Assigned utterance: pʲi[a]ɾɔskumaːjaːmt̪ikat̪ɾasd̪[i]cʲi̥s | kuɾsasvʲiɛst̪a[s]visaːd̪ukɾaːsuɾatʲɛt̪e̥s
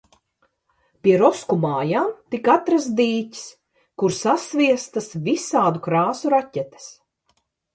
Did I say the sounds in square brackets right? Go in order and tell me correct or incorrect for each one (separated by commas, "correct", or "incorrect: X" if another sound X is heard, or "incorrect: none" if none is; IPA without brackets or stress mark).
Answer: incorrect: ɛ, incorrect: iː, correct